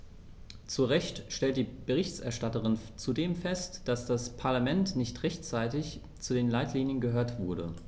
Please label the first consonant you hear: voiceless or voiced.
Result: voiceless